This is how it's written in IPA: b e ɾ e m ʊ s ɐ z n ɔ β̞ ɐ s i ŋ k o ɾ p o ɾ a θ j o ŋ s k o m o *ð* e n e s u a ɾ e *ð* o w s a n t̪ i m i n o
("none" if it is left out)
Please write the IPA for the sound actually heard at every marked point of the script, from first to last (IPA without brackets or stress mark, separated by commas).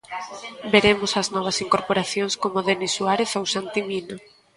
ð, θ